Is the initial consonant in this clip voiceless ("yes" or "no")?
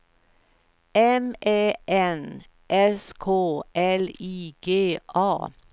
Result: no